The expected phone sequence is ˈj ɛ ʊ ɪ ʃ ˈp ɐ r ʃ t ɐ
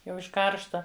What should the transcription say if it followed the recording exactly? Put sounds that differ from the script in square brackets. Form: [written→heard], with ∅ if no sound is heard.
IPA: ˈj ɛ ʊ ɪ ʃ [ˈp→ˈk] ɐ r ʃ t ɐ